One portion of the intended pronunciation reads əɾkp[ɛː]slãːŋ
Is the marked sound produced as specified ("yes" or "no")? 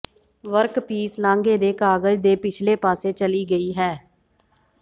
no